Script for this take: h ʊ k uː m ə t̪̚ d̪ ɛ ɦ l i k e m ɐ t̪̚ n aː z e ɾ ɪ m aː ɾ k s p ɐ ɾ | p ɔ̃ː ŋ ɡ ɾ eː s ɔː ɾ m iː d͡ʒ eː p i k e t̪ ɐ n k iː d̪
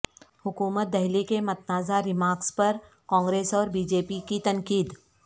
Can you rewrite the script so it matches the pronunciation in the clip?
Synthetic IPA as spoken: h ʊ k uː m ə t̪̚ d̪ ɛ ɦ l i k e m ɐ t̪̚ n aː z a ɾ ɪ m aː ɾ k s p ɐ ɾ | k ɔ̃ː ŋ ɡ ɾ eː s ɔː ɾ b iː d͡ʒ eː p i k i t̪ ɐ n k iː d̪